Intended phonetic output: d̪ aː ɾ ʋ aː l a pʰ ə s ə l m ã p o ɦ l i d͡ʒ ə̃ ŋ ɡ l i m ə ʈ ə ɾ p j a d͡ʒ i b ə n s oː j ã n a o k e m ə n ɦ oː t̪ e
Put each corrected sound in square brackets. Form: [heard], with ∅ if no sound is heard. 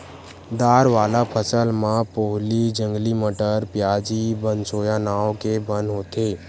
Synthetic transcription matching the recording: d̪ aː ɾ ʋ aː l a pʰ ə s ə l m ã p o ɦ l i d͡ʒ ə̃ ŋ ɡ l i m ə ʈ ə ɾ p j a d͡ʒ i b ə n s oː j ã n a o k e [b] ə n ɦ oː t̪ e